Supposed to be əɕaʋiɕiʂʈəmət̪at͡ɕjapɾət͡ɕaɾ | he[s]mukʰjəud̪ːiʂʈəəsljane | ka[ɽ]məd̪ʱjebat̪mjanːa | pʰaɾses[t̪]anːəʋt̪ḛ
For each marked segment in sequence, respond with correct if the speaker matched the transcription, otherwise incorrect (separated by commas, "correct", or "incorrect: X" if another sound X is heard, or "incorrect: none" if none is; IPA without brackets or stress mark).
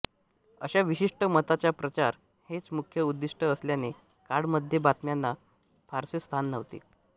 incorrect: t͡s, correct, incorrect: t̪ʰ